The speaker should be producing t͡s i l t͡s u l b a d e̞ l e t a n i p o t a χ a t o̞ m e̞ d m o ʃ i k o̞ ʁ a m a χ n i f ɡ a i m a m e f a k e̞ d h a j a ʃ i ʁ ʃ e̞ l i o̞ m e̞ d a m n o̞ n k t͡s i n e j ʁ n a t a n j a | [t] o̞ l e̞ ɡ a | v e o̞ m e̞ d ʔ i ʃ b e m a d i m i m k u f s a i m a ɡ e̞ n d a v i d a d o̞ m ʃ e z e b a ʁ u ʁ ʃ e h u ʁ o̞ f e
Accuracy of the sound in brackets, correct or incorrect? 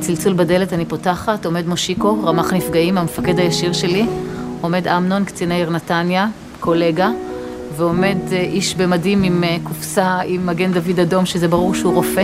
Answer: incorrect